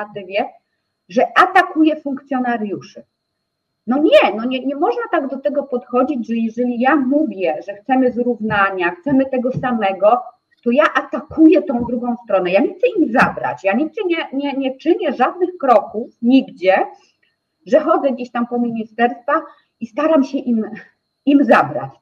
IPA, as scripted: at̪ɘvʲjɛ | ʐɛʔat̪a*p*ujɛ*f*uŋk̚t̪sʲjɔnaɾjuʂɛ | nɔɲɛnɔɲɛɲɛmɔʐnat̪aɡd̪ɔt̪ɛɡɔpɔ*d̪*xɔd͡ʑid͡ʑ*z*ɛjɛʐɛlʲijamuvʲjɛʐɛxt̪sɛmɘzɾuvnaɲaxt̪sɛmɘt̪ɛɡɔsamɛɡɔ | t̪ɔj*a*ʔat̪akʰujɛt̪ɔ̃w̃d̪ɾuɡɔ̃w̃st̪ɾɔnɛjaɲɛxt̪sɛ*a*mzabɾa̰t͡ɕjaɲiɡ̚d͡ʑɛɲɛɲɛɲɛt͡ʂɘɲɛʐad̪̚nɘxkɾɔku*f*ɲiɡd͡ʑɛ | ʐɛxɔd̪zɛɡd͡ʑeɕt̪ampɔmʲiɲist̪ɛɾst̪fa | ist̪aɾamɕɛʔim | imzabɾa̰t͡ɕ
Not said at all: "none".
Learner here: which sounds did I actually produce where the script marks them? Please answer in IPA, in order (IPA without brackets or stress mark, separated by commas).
k, f, t̪, ʐ, a, i, f